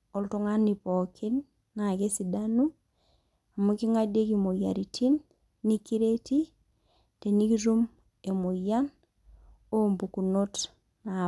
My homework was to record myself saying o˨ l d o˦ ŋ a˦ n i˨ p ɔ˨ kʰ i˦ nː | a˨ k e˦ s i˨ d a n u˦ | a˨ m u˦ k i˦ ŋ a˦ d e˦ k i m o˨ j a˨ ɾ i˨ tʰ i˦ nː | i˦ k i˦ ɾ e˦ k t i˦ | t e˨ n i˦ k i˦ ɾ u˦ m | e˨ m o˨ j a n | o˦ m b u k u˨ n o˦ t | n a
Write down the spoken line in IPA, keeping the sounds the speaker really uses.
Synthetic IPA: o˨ l t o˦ ŋ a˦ n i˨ p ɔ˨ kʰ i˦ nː | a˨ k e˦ s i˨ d a n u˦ | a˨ m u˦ k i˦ ŋ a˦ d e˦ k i m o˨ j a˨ ɾ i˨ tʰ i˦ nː | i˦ k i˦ ɾ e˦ t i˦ | t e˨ n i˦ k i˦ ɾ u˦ m | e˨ m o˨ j a n | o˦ m b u k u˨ n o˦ t | n a